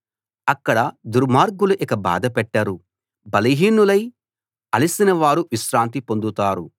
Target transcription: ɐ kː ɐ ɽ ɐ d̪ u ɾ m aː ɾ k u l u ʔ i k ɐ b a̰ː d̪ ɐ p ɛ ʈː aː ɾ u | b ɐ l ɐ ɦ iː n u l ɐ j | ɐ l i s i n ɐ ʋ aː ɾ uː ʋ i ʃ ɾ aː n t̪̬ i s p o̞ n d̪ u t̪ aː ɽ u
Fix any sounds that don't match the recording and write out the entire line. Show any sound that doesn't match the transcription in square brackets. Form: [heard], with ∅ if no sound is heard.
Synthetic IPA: ɐ kː ɐ ɽ ɐ d̪ u ɾ m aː ɾ [ɡ] u l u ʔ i k ɐ b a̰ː d̪ ɐ p ɛ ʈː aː ɾ u | b ɐ l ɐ ɦ iː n u l ɐ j | ɐ l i s i n ɐ ʋ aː ɾ [u] ʋ i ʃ ɾ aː n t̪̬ i [∅] p o̞ n d̪ u t̪ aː [ɾ] u